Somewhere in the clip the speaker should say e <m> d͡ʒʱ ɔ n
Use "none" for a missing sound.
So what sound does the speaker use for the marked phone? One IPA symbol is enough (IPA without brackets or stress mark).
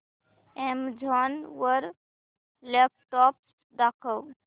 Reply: m